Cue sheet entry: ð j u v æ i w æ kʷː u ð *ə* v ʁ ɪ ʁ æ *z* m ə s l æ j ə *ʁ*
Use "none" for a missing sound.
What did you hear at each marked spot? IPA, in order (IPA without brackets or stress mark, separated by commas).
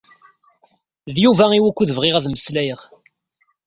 ə, ð, ʁ